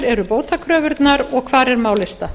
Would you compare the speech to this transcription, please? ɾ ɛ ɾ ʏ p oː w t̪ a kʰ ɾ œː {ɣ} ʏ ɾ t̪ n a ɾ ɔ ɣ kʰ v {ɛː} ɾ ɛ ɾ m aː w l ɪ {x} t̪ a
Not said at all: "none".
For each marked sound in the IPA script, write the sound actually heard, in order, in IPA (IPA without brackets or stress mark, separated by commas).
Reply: v, aː, s